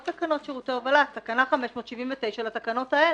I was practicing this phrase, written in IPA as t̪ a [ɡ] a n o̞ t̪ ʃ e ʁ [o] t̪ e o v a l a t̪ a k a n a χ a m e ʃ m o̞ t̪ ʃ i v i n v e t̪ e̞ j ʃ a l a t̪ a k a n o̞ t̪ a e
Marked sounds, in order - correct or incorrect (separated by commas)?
incorrect, incorrect